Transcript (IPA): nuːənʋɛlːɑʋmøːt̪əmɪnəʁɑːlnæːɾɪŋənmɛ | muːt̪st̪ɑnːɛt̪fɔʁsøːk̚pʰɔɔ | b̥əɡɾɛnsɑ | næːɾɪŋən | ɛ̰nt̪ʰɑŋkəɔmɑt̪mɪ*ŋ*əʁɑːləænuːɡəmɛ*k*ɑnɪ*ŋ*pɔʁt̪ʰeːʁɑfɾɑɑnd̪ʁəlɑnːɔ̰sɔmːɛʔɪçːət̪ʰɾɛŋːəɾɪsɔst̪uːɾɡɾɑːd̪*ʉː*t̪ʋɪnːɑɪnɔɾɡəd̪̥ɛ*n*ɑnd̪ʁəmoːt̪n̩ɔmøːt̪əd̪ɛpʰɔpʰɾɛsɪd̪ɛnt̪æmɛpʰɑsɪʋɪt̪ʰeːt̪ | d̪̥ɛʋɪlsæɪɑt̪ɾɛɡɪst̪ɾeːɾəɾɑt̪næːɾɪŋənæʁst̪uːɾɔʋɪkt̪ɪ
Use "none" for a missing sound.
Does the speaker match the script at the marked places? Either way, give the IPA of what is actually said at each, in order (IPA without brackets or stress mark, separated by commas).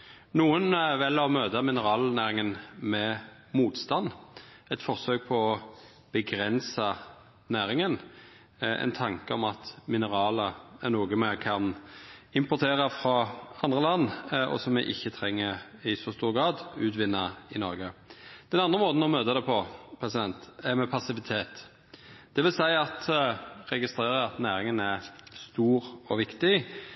n, kʰ, m, ʉː, n